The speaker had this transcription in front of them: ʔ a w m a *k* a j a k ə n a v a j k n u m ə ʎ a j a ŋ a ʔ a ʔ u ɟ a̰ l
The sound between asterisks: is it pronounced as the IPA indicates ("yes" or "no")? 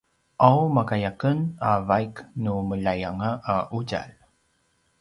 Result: yes